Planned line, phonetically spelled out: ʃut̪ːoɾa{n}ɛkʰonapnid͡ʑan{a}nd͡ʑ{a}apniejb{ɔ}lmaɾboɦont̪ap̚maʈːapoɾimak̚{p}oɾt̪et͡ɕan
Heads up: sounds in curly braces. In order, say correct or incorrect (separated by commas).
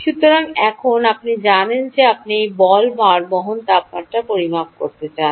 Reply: incorrect, incorrect, incorrect, correct, incorrect